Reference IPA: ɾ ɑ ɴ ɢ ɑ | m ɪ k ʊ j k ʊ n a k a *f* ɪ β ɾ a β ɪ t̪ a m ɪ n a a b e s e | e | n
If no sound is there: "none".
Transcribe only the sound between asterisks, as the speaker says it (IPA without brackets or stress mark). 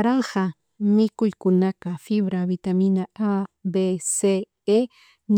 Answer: f